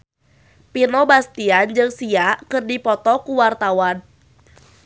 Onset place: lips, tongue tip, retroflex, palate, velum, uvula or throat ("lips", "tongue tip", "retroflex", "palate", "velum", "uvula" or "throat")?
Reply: lips